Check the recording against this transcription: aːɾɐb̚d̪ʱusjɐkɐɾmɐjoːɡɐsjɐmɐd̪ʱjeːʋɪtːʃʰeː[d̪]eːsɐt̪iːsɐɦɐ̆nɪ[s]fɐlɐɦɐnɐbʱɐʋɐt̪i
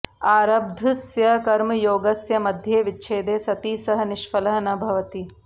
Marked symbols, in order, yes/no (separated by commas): yes, no